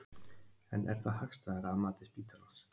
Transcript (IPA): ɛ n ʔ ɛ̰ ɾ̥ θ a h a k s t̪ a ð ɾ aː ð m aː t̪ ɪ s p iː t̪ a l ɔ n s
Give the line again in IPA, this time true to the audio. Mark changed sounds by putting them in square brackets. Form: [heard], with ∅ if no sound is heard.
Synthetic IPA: ɛ n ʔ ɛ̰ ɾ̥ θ a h a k s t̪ a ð ɾ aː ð m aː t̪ ɪ s p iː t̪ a l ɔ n s

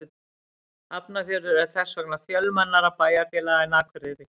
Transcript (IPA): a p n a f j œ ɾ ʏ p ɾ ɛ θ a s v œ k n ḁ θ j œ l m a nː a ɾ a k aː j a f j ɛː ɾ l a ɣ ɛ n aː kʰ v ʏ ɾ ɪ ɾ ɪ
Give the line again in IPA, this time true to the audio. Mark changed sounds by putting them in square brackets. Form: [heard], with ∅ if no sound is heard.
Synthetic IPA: a p n a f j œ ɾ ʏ [∅] ɾ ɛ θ [ɛ] s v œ k n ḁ [f] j œ l m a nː a ɾ a [p] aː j a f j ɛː [∅] l a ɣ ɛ n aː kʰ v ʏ ɾ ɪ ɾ ɪ

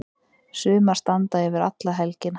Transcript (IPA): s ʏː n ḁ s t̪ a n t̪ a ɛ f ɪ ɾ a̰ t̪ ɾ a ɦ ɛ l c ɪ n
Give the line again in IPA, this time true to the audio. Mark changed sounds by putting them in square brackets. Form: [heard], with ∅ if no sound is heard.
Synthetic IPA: s ʏː [m] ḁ s t̪ a n t̪ a ɛ [v] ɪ ɾ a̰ t̪ [l] a ɦ ɛ l c ɪ n

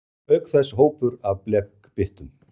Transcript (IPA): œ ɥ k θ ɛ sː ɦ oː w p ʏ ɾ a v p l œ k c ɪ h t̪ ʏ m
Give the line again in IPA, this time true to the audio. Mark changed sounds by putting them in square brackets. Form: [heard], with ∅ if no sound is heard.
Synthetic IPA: œ ɥ k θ ɛ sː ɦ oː w p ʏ ɾ a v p l [ɛ] k [p] ɪ h t̪ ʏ m

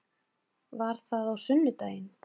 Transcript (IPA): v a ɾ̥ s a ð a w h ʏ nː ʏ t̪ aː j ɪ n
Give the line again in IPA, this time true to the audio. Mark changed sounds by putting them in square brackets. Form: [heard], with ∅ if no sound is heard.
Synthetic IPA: v a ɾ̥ [θ] a ð a w [s] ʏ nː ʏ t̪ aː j ɪ n

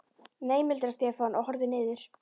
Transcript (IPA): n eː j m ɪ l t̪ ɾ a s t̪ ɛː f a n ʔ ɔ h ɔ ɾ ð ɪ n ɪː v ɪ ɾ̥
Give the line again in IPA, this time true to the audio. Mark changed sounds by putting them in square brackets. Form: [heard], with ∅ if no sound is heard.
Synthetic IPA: n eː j m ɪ l t̪ ɾ a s t̪ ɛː f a n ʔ ɔ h ɔ ɾ ð ɪ n ɪː [ð] ɪ ɾ̥

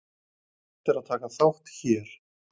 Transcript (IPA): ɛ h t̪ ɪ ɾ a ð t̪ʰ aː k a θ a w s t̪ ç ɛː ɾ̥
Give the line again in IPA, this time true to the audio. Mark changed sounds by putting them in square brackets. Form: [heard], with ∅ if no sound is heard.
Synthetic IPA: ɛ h t̪ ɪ ɾ a ð t̪ʰ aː k a θ a w [h] t̪ ç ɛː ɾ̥

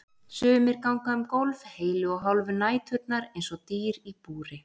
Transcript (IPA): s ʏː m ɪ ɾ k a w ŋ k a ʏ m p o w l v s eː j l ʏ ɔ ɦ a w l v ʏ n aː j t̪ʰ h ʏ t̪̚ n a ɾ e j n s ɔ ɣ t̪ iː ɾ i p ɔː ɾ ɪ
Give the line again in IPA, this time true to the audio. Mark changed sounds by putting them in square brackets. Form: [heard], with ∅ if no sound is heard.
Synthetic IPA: s ʏː m ɪ ɾ k a w ŋ k a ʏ m [k] o w l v [h] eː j l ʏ ɔ ɦ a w l v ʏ n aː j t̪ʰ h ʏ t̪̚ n a ɾ e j n s ɔ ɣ t̪ iː ɾ i p [uː] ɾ ɪ

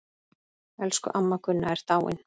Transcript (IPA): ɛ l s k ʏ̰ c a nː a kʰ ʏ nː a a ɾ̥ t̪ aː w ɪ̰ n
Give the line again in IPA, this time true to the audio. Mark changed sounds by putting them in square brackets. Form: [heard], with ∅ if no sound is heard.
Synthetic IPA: ɛ l s k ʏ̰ [ʔ] a [mː] a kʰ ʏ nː a [ɛ] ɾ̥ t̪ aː w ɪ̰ n

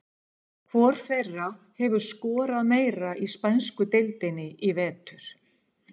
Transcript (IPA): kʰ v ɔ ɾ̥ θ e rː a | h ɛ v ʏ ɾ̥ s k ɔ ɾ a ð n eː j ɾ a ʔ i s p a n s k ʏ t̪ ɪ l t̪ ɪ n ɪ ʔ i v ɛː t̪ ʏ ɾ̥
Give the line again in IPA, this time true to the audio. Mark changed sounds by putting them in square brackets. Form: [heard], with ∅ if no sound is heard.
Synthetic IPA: kʰ v ɔ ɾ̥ θ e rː a | h ɛ v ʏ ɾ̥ s k [ɔː] ɾ a ð [m] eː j ɾ a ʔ i s p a n s k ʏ t̪ ɪ l t̪ ɪ n ɪ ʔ i v ɛː t̪ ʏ ɾ̥

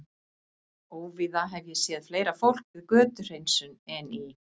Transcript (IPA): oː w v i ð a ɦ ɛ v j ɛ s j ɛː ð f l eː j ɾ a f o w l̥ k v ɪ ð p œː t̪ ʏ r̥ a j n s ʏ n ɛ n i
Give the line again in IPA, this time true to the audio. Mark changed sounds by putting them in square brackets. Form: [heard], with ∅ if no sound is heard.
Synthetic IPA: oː w v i ð a ɦ ɛ v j ɛ s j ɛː ð f l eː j ɾ a f o w l̥ k v ɪ ð [k] œː t̪ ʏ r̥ [e] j n s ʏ n ɛ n i

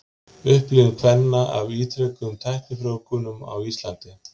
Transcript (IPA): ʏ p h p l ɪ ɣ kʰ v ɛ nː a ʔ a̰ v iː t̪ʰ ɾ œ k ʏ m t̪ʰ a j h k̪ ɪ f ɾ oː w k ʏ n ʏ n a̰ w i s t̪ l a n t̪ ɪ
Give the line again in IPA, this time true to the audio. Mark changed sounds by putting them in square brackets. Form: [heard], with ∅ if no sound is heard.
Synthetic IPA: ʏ [∅] h p l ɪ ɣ kʰ v ɛ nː a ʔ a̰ v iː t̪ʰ ɾ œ k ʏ m t̪ʰ a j h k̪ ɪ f ɾ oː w k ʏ n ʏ [m] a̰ w i s t̪ l a n t̪ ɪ

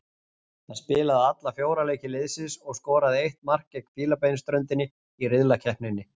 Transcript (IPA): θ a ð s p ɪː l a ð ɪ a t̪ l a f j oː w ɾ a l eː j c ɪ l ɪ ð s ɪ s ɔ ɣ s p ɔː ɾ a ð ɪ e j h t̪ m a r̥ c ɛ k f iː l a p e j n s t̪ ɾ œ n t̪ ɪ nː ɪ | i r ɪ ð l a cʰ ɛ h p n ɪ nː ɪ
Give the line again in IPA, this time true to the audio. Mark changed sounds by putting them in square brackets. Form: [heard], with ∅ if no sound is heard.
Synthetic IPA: θ a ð s p ɪː l a ð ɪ a t̪ l a f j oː w ɾ a l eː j c ɪ l ɪ ð s ɪ s ɔ ɣ s [k] ɔː ɾ a ð ɪ e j h t̪ m a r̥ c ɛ k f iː l a p e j n s t̪ ɾ œ n t̪ ɪ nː ɪ | i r ɪ ð l a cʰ ɛ h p n ɪ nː ɪ

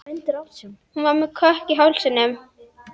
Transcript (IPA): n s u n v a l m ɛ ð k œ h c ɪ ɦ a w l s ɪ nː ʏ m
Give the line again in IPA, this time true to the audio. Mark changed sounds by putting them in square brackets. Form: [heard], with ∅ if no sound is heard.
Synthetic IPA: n [h] u n v a [ɾ] m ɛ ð [kʰ] œ h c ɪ ɦ a w l s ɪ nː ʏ m

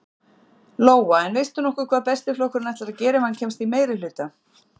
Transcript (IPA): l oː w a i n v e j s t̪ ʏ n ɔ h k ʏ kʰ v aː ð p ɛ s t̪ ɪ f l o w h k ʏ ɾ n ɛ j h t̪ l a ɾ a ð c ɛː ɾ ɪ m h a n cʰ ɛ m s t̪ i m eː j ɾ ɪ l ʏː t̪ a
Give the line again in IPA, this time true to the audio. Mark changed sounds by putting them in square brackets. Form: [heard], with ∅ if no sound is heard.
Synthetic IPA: l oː w a [ɛ] n v e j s t̪ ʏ n ɔ h k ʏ kʰ v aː ð p ɛ s t̪ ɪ f l o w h k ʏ ɾ n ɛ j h t̪ l a ɾ a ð c ɛː ɾ ɪ m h a n cʰ ɛ m s t̪ i m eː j ɾ ɪ l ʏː t̪ a

